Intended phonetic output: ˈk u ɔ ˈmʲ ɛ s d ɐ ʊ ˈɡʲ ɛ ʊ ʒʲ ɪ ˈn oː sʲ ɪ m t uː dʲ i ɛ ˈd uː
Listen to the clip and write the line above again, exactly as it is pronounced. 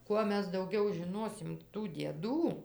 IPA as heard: ˈk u ɔ ˈmʲ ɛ s d ɐ ʊ ˈɡʲ ɛ ʊ ʒʲ ɪ ˈn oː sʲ ɪ m t uː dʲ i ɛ ˈd uː